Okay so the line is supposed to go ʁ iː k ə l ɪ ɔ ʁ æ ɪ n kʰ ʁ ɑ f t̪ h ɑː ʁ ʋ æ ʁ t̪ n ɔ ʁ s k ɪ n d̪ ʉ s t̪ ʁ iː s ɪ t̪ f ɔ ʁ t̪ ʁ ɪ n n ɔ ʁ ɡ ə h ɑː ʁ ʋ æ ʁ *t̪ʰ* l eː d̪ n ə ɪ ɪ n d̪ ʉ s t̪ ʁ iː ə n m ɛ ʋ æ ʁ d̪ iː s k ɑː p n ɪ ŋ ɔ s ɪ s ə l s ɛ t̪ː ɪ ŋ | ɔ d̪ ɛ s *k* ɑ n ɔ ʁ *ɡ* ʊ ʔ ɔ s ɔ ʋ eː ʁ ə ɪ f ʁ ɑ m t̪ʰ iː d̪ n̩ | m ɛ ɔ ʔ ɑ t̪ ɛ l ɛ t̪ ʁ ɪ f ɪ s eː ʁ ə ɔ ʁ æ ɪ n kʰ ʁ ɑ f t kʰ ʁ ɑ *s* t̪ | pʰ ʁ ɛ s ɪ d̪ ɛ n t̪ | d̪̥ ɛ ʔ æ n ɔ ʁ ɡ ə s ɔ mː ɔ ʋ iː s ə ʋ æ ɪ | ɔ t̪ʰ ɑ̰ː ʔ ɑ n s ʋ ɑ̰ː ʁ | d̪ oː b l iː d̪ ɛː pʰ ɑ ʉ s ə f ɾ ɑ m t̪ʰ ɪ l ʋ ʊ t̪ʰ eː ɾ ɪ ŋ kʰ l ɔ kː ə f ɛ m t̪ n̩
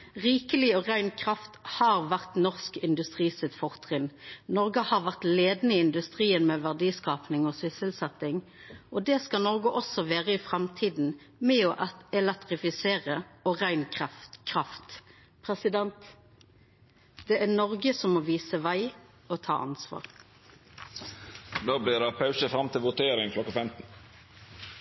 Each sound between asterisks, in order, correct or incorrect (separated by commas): incorrect, correct, correct, incorrect